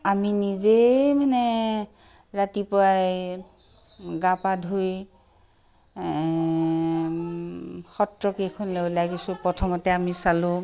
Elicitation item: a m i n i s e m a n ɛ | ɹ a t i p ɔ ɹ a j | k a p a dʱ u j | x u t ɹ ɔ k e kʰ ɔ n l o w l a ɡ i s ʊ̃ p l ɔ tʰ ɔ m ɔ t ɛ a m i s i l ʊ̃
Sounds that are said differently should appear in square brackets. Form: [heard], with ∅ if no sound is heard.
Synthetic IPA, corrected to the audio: a m i n i [z] e m a n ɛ | ɹ a t i p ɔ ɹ a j | [ɡ] a p a dʱ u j | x [ɔ] t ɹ ɔ k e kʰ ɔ n l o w l a ɡ i s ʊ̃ p [ɹ] ɔ tʰ ɔ m ɔ t ɛ a m i s [a] l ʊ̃